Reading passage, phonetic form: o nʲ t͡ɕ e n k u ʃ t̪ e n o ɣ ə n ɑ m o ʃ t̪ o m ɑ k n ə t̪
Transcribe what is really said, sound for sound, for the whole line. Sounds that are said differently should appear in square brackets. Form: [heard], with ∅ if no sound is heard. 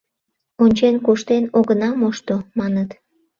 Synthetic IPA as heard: o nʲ t͡ɕ e n k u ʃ t̪ e n o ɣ ə n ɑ m o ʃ t̪ o m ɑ [∅] n ə t̪

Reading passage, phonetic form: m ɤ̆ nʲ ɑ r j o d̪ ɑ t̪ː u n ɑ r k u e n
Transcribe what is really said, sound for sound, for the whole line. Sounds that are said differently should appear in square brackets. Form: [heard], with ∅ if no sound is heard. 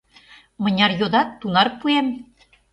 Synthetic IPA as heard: m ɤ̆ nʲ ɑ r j o d̪ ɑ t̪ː u n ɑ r [p] u e [m]

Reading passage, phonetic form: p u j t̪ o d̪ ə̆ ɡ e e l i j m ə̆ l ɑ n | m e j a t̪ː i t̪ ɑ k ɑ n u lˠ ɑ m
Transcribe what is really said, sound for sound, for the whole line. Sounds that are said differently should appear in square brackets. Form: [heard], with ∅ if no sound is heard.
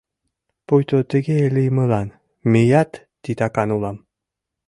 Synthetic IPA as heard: p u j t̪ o [t̪] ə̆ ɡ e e l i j m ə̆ l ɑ n | m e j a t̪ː i t̪ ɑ k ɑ n u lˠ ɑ m

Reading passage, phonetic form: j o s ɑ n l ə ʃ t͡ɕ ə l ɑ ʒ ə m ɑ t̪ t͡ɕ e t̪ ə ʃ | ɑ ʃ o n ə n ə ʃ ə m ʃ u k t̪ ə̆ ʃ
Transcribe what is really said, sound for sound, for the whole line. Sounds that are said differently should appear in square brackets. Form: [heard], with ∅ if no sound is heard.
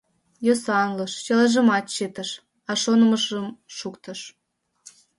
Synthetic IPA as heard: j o s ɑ n l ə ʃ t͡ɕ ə l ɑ ʒ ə m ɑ t̪ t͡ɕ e t̪ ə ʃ | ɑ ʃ o n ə [m] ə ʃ ə m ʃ u k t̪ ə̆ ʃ

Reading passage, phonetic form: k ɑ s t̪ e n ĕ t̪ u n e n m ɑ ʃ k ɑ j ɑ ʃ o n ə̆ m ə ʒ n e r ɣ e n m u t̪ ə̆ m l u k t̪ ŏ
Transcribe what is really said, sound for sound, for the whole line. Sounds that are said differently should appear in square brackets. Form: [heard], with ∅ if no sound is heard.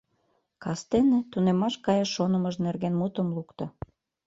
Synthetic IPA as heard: k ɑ s t̪ e n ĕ t̪ u n e [∅] m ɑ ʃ k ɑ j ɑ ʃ o n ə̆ m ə ʒ n e r ɣ e n m u t̪ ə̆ m l u k t̪ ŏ

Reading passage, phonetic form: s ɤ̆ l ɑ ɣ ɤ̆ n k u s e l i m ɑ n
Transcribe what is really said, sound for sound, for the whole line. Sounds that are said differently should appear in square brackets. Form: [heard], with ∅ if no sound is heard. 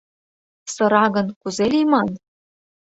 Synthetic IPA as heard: s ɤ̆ [ɾ] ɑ ɣ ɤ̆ n k u [z] e l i m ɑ n

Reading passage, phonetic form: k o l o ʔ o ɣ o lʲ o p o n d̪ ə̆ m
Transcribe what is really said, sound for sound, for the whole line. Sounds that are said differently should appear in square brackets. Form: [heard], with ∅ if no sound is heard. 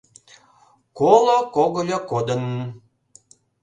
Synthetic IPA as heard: k o l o [k] o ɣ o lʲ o [k] o [∅] d̪ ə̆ [n]

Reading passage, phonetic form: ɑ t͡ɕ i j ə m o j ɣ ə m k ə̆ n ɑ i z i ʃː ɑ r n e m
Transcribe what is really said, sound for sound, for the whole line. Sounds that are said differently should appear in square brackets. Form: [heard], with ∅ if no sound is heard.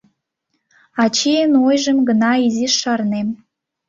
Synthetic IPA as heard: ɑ t͡ɕ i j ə [n] o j [ʒ] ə m [ɡ] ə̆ n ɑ i z i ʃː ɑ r n e m

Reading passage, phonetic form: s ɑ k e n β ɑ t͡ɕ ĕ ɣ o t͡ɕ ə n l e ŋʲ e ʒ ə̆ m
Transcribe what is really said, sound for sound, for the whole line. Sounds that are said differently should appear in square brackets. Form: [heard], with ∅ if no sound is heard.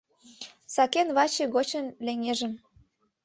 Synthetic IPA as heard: s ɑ k e n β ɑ t͡ɕ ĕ ɣ o t͡ɕ ə n l e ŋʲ e ʒ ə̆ m

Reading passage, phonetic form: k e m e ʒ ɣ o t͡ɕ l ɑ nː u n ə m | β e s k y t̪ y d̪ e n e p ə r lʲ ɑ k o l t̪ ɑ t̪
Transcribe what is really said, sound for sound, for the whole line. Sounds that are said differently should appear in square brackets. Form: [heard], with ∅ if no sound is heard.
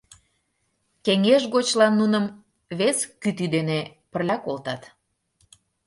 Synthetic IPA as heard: k e [ŋ] e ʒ ɣ o t͡ɕ l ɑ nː u n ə m | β e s k y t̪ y d̪ e n e p ə r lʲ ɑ k o l t̪ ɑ t̪

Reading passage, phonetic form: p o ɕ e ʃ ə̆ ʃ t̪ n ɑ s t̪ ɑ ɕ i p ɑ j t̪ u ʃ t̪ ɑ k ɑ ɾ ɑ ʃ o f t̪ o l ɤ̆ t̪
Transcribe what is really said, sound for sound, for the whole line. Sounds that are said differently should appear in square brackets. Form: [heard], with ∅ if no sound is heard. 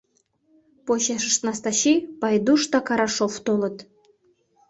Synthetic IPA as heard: p o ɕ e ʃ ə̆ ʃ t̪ n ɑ s t̪ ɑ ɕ i p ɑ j [d̪] u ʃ t̪ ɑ k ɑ ɾ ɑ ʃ o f t̪ o l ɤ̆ t̪

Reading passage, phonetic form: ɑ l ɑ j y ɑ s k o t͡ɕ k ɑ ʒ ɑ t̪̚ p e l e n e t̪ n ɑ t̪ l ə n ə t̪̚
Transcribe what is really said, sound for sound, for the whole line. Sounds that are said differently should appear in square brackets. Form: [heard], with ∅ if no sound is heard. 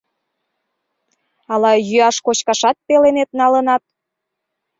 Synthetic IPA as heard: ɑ l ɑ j y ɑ [ʃ] k o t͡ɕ k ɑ [ʃ] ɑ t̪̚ p e l e n e t̪ n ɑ [∅] l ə n [ɑ] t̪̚

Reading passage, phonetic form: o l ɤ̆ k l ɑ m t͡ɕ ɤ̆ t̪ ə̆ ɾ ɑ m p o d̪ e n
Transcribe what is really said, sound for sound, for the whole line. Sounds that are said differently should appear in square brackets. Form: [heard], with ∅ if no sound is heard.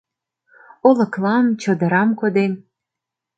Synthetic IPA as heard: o l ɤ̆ k l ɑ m t͡ɕ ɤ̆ [d̪] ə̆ ɾ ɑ m [k] o d̪ e n

